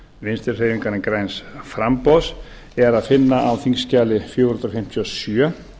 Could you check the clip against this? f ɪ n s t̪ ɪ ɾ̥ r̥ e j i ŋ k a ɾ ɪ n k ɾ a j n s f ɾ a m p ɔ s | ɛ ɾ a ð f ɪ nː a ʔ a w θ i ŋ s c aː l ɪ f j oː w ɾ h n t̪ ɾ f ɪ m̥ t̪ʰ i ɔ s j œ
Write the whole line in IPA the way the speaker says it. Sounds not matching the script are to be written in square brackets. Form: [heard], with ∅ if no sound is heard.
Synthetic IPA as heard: [v] ɪ n s t̪ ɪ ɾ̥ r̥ e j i ŋ k a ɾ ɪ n k ɾ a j n s f ɾ a m p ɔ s | ɛ ɾ a ð f ɪ nː a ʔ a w θ i ŋ s c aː l ɪ f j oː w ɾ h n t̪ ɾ f ɪ m̥ t̪ʰ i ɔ s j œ